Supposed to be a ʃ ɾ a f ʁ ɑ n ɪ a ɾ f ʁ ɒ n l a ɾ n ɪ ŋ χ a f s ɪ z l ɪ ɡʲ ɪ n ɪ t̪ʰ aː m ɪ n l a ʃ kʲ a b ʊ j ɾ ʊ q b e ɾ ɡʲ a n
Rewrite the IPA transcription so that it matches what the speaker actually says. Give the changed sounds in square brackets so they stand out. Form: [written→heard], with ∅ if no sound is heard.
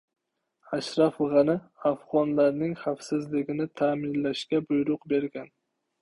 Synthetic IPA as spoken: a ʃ ɾ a f ʁ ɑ n ɪ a [ɾ→∅] f ʁ ɒ n l a ɾ n ɪ ŋ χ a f s ɪ z l ɪ ɡʲ ɪ n ɪ t̪ʰ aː m ɪ n l a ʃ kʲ a b ʊ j ɾ ʊ q b e ɾ ɡʲ a n